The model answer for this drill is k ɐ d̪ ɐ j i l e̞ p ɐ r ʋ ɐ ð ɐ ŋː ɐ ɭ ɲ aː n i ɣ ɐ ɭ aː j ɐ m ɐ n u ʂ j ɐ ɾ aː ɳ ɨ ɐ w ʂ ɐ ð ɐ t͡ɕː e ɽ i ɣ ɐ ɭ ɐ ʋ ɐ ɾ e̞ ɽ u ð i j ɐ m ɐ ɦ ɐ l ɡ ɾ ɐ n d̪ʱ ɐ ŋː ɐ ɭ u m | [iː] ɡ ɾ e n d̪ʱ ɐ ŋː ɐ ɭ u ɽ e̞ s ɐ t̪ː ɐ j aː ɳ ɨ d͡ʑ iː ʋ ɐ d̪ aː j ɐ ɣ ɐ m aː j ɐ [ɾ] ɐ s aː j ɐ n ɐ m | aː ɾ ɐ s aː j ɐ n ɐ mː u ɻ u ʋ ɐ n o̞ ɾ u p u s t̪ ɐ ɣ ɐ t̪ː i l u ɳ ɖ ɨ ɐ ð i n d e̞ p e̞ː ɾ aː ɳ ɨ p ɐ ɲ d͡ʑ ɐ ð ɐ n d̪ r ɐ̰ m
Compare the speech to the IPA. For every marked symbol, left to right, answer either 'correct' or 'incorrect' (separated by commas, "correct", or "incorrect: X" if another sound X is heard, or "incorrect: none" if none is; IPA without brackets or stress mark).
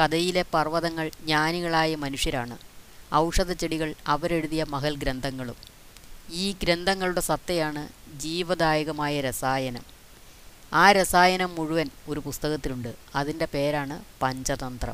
correct, correct